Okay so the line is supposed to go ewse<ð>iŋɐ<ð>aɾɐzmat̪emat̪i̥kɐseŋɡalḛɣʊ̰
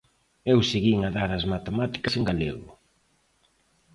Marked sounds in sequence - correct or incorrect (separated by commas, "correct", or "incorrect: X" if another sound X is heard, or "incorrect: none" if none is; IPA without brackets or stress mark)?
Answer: incorrect: ɣ, correct